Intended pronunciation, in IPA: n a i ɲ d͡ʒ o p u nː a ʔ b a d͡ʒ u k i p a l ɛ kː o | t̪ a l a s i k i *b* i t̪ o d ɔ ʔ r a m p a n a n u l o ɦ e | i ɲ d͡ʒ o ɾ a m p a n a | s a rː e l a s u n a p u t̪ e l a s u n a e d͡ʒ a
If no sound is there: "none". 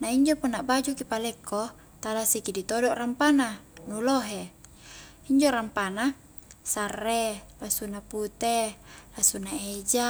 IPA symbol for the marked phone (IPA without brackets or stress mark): d